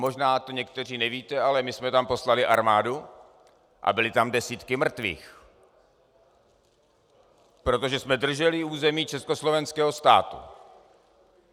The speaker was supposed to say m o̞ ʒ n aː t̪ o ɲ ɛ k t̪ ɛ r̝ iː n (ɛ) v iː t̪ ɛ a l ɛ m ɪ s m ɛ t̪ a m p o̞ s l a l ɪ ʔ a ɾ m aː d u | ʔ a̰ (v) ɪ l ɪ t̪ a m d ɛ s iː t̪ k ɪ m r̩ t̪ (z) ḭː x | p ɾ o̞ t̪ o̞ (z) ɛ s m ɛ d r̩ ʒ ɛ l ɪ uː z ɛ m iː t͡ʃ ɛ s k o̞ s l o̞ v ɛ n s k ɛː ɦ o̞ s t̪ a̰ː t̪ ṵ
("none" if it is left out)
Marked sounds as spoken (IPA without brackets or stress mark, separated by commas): ɛ, b, v, ʒ